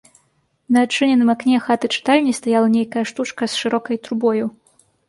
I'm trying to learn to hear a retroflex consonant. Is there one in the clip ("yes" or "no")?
yes